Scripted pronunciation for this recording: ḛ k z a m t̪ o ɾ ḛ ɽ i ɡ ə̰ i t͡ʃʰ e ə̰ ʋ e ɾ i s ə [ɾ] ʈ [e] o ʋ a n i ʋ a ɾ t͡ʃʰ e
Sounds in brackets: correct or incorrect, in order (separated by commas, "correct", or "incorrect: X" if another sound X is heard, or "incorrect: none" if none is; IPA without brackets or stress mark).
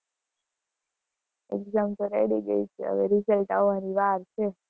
incorrect: l, incorrect: a